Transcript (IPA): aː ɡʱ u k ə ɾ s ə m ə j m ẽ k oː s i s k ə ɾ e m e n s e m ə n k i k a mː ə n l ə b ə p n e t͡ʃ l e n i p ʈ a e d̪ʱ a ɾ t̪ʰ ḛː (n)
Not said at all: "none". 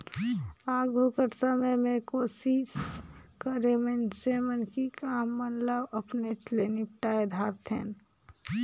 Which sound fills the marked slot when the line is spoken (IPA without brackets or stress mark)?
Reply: n